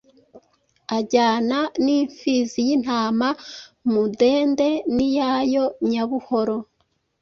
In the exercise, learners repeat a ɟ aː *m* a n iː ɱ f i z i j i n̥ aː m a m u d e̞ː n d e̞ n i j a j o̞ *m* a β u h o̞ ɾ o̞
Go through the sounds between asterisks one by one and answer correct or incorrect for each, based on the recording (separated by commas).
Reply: incorrect, incorrect